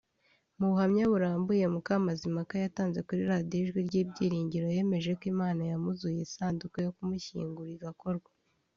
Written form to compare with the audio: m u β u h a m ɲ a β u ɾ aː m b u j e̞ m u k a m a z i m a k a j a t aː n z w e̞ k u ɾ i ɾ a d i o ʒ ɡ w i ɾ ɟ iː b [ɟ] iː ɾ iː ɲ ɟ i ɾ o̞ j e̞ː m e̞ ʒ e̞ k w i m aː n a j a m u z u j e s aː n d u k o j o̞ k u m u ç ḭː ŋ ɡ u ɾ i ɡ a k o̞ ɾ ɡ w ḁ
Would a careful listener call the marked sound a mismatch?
no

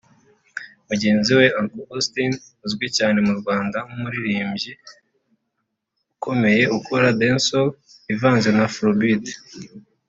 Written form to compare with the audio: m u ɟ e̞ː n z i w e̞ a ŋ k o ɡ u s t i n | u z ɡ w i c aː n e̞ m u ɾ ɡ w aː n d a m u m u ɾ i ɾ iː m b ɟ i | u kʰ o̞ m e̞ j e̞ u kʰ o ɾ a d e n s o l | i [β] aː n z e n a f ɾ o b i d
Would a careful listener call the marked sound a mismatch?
yes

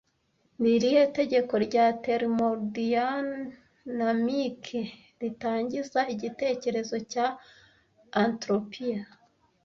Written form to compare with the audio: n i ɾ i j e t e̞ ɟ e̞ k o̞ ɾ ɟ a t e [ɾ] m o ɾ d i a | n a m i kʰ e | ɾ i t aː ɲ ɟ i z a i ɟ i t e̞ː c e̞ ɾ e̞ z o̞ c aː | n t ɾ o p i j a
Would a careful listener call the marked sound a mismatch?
no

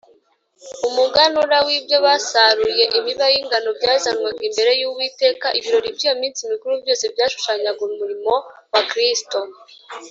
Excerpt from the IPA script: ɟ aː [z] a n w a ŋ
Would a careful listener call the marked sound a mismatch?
no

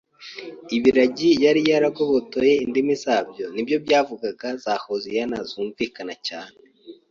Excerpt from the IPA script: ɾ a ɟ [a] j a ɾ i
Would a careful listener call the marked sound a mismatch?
yes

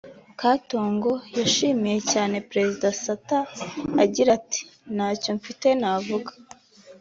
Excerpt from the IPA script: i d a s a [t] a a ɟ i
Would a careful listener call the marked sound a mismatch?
no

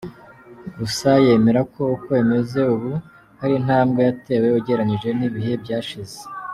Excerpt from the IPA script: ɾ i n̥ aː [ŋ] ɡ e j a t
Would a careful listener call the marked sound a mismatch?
yes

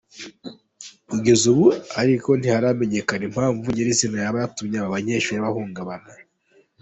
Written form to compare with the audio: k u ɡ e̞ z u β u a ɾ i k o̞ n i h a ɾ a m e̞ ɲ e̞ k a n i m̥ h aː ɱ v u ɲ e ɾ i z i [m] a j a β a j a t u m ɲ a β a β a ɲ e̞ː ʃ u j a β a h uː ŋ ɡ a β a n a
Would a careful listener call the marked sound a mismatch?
yes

